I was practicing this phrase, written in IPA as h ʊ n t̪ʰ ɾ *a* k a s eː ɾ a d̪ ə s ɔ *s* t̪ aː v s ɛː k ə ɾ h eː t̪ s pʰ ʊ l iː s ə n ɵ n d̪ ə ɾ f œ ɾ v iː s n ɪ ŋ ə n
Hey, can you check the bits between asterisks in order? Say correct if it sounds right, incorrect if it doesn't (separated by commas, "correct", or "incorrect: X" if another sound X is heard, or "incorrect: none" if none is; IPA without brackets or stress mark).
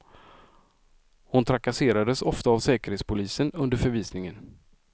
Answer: correct, incorrect: f